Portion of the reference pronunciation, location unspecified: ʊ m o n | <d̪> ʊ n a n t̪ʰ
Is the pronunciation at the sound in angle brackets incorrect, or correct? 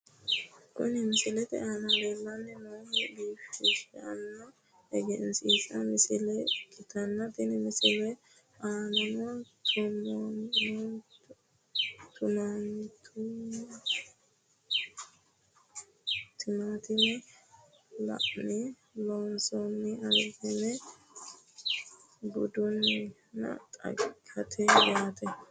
incorrect